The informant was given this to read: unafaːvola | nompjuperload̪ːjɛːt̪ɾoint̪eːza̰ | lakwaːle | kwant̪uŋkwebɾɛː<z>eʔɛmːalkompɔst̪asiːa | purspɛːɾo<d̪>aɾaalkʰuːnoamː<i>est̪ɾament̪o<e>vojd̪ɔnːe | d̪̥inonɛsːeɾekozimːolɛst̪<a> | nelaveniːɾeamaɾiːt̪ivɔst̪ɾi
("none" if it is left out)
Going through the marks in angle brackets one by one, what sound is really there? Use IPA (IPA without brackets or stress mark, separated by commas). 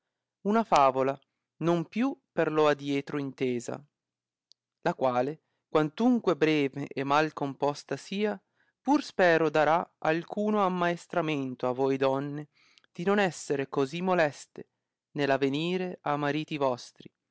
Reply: v, d̪, a, a, e